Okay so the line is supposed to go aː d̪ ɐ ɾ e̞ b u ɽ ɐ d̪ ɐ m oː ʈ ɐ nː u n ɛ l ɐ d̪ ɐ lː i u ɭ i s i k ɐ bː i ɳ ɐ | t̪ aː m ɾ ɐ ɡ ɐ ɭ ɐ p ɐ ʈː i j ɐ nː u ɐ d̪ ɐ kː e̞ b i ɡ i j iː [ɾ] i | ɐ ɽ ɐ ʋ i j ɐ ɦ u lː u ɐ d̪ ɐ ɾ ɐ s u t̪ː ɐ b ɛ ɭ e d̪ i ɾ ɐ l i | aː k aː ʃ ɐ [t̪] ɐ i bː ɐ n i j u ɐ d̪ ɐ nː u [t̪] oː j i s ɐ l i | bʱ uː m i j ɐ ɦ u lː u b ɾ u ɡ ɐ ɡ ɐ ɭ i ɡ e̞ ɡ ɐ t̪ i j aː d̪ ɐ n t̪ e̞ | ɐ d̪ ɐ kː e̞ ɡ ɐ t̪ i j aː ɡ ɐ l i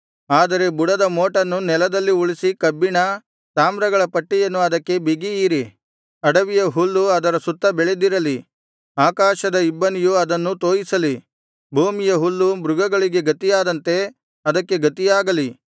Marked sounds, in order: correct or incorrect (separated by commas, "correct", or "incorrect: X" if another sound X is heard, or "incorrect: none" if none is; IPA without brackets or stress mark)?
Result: correct, incorrect: d̪, correct